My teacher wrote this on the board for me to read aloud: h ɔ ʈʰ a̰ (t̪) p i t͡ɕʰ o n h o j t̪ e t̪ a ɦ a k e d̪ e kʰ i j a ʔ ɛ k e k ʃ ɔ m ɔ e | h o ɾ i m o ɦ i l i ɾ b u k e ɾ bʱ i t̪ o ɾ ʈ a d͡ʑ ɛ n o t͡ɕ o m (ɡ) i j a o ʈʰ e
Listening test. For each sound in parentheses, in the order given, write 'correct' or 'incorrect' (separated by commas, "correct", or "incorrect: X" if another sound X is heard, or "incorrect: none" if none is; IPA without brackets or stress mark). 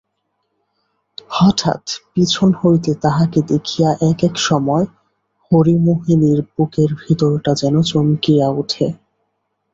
correct, incorrect: k